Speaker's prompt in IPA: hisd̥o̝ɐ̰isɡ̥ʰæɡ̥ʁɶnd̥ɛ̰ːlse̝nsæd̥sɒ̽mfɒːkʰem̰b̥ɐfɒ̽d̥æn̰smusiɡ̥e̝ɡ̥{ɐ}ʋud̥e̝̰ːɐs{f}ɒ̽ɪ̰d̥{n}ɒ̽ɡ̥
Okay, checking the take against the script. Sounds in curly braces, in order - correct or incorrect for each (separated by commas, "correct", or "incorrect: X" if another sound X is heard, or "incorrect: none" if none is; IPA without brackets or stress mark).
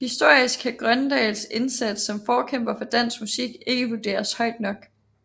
incorrect: ə, incorrect: h, correct